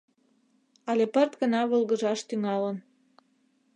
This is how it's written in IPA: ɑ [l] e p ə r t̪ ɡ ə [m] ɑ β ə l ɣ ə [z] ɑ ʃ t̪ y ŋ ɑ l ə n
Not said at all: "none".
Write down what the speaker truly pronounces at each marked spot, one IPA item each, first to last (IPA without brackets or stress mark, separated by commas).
l, n, ʒ